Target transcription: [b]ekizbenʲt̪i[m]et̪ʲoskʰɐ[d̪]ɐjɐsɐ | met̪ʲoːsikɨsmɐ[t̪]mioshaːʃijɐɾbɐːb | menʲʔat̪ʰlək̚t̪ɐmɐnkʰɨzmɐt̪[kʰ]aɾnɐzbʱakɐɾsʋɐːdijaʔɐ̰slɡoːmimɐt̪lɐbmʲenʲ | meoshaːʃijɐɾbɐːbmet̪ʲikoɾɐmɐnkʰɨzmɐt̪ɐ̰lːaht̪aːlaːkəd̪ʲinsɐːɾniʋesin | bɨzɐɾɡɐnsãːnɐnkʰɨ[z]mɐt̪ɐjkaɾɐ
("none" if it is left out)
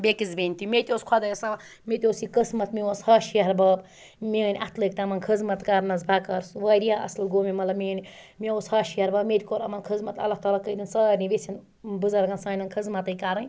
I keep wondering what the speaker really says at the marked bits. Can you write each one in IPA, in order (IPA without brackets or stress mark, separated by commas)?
b, m, d̪, t̪, k, z